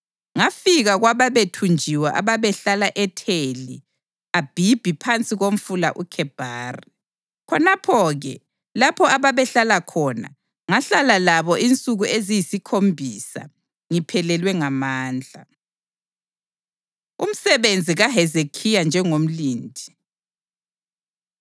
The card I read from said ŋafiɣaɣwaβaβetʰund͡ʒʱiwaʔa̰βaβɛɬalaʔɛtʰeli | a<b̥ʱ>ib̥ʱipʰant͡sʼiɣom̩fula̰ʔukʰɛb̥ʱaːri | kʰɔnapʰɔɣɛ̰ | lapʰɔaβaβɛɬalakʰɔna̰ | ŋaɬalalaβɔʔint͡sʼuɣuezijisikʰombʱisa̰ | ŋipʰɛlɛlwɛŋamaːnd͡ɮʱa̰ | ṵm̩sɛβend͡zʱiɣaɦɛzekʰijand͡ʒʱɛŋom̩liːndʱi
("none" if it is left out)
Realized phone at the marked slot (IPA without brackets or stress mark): b̥ʱ